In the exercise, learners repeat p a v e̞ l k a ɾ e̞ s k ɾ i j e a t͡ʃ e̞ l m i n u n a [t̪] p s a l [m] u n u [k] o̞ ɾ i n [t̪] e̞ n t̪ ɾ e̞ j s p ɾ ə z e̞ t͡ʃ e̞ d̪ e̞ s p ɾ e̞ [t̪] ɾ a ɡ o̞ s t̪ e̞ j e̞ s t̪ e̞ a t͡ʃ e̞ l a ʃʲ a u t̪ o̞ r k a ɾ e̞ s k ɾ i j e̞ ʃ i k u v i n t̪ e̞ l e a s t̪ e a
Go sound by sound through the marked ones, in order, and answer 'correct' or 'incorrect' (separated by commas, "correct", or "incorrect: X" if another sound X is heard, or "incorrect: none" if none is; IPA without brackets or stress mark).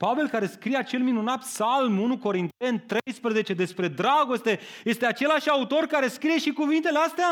correct, correct, correct, correct, incorrect: d̪